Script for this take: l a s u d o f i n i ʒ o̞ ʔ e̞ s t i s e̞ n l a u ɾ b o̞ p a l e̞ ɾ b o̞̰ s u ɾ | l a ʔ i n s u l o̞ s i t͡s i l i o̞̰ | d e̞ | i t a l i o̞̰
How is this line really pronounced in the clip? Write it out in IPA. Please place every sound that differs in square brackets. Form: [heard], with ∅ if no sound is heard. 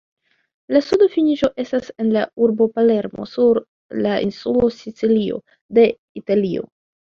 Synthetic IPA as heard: l a s u d o f i n i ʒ o̞ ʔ e̞ s t [a] s e̞ n l a u ɾ b o̞ p a l e̞ ɾ [m] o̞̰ s u ɾ | l a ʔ i n s u l o̞ s i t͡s i l i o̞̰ | d e̞ | i t a l i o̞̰